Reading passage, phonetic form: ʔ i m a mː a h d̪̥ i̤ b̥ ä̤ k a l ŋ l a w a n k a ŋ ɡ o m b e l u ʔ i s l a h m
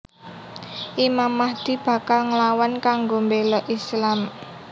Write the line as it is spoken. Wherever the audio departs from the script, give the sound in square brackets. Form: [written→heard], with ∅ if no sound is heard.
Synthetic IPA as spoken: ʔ i m a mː a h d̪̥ i̤ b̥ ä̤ k a l ŋ l a w a n k a ŋ ɡ o m b e l [u→ɔ] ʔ i s l a [h→∅] m